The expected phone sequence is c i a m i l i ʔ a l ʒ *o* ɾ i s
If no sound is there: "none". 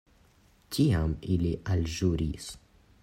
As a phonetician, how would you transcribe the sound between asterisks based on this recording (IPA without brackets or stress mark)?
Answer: u